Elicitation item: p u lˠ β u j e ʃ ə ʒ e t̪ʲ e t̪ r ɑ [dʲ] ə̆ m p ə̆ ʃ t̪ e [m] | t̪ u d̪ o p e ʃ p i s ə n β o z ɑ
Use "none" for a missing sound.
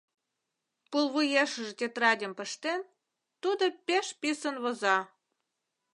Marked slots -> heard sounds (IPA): dʲ, n

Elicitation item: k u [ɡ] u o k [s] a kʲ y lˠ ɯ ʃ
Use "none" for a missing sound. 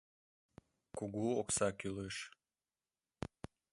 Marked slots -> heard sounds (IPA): ɡ, s

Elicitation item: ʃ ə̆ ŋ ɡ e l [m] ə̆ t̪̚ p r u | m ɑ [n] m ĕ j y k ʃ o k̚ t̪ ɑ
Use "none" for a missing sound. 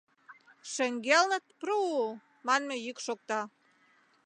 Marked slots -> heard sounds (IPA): n, n

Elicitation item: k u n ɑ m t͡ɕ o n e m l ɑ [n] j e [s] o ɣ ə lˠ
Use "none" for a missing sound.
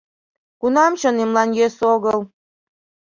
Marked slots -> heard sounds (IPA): n, s

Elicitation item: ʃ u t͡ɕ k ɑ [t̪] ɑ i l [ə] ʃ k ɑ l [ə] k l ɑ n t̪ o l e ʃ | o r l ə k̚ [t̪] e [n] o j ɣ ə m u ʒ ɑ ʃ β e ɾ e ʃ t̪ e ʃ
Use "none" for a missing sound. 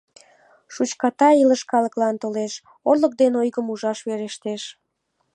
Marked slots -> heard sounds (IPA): t̪, ə, ə, d̪, n

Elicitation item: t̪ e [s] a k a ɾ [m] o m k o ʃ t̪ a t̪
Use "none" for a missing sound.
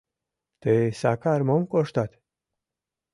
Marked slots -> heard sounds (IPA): s, m

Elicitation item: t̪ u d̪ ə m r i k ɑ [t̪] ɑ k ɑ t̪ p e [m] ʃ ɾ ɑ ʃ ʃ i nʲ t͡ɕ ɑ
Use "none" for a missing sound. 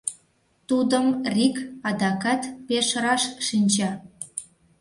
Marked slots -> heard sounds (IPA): d̪, none

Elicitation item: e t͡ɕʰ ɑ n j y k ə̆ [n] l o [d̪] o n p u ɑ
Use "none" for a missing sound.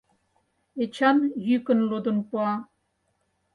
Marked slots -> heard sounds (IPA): n, d̪

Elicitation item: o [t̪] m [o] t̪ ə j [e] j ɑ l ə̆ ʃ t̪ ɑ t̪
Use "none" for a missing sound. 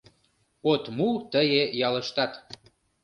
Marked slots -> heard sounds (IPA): t̪, u, e

